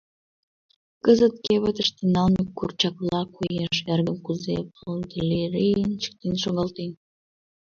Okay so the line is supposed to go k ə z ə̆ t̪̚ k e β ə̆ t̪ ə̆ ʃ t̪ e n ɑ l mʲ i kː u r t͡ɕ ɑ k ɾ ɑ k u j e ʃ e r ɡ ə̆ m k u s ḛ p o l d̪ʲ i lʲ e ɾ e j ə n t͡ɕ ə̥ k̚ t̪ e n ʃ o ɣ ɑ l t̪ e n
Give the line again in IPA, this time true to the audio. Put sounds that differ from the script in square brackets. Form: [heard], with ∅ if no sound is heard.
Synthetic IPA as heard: k ə z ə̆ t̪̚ k e β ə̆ t̪ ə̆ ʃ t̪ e n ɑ l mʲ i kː u r t͡ɕ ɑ k [l] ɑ k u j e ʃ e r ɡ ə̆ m k u [z] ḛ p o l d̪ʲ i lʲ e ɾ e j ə n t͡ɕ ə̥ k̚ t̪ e n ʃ o ɣ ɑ l t̪ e n